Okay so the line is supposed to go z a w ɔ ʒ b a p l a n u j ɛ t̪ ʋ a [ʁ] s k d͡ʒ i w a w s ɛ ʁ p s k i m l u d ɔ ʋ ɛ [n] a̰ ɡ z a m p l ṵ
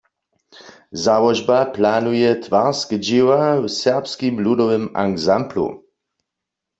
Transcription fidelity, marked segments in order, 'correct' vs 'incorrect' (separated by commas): correct, incorrect